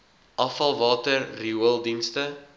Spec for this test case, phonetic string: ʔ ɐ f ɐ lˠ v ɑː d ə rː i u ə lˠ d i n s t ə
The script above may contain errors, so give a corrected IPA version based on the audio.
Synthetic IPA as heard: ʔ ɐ f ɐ lˠ v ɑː t ə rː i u ə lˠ d i n s t ə